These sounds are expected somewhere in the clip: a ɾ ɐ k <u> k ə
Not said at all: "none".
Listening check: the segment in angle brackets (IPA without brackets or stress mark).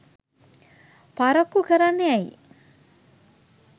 u